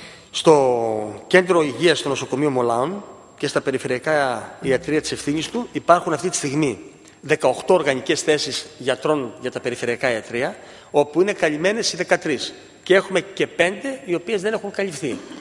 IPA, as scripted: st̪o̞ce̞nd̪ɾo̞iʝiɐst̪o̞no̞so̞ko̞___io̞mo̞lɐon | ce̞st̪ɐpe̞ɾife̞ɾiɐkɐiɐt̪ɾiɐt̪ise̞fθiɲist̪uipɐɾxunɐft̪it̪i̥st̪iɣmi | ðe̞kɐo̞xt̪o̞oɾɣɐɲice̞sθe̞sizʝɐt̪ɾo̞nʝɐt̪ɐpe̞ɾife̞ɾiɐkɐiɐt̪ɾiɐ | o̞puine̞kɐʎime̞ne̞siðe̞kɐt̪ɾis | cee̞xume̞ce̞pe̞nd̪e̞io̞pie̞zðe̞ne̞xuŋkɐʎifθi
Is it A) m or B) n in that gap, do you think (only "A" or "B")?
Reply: A